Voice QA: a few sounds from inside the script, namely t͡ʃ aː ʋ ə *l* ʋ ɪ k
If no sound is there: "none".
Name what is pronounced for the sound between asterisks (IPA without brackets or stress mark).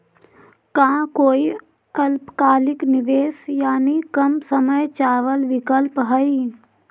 l